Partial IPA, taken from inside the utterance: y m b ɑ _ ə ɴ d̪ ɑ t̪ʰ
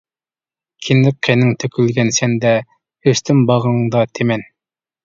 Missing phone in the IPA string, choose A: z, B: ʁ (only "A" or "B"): B